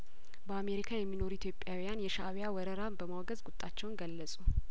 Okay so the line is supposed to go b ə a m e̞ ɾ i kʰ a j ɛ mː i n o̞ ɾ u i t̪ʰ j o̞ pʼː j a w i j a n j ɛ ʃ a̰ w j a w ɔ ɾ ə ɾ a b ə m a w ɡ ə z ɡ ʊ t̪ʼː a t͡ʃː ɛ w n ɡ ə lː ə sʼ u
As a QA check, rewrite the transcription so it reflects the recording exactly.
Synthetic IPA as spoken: b ə a m e̞ ɾ i kʰ a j ɛ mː i n o̞ ɾ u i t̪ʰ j o̞ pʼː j a w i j a n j ɛ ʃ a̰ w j a w ɔ ɾ ə ɾ a b ə m a w ɡ ə z ɡ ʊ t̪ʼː a t͡ʃː ɛ w n ɡ ə lː ə sʼ u